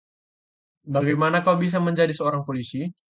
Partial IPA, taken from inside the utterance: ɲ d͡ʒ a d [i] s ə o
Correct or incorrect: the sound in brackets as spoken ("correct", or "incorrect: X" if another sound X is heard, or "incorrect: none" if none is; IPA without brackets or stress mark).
correct